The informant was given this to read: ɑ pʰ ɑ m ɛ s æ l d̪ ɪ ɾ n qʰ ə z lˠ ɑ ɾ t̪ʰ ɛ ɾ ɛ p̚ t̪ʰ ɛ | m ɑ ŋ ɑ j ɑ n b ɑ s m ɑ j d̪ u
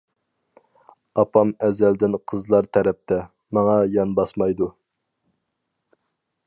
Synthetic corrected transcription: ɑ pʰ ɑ m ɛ z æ l d̪ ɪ n qʰ ə z lˠ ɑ ɾ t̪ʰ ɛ ɾ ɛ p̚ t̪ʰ ɛ | m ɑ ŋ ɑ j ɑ n b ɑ s m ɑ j d̪ u